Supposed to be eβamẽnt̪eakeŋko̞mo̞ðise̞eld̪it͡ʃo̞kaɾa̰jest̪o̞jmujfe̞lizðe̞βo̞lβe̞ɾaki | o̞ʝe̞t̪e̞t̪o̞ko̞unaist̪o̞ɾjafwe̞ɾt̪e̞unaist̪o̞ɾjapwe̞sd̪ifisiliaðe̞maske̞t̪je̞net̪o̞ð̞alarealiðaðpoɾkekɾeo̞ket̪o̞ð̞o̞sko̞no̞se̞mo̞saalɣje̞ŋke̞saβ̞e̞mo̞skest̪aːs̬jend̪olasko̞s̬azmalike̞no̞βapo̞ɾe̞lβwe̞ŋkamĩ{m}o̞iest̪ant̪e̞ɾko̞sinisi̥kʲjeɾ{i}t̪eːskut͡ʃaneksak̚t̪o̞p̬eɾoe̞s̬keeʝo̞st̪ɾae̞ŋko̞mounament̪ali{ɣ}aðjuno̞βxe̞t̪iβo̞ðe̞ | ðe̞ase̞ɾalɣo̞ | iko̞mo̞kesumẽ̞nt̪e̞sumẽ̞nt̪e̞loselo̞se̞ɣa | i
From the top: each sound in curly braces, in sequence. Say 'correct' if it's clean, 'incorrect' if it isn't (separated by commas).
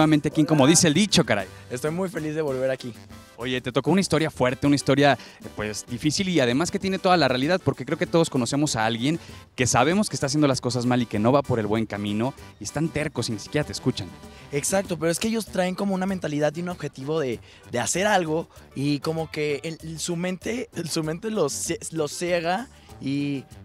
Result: incorrect, incorrect, incorrect